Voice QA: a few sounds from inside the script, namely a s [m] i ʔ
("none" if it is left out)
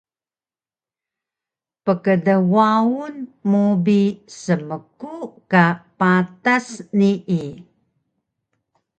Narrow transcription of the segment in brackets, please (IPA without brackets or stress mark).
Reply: n